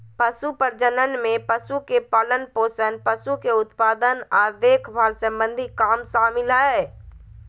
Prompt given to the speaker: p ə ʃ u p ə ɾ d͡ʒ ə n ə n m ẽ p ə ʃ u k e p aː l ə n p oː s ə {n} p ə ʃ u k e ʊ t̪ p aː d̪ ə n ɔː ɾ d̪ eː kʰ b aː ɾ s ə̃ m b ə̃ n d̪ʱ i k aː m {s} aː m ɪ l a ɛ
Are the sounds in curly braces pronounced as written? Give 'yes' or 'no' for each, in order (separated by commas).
yes, yes